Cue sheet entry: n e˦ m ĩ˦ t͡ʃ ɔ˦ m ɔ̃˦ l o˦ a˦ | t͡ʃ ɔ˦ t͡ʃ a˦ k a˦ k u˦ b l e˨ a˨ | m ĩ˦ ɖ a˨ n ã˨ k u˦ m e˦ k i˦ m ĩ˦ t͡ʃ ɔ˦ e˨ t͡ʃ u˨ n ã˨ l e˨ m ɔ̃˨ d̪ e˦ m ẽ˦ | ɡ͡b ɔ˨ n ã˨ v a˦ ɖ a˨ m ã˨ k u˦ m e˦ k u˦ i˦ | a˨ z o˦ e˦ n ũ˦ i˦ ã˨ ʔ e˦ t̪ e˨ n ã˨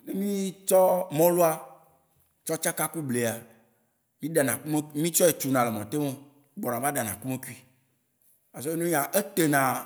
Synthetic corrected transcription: n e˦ m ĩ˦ t͡ʃ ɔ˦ m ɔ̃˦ l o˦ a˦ | t͡ʃ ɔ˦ t͡ʃ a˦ k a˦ k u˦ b l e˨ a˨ | m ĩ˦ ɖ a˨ n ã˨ k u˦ m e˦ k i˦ m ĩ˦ t͡ʃ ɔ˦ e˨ t͡ʃ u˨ n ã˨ l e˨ m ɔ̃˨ t̪ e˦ m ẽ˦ | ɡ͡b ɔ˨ n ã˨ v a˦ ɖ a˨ n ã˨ k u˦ m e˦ k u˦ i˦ | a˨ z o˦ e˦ n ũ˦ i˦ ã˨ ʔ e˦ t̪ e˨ n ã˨